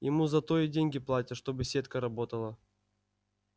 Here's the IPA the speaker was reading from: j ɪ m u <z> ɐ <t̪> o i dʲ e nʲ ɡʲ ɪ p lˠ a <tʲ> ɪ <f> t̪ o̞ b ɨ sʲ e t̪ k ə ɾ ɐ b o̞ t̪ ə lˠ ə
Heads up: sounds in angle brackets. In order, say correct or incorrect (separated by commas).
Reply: correct, correct, correct, incorrect